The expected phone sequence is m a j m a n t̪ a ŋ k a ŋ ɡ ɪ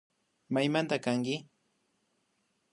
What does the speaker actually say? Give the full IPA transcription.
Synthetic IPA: m a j m a n t̪ a k a ŋ k ɪ